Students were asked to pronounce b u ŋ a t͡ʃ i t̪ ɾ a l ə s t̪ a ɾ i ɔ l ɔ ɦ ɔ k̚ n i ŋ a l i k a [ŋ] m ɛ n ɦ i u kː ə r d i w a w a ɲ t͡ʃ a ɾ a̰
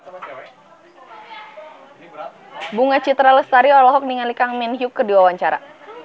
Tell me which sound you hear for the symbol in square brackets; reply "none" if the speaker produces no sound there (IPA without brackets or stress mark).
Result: ŋ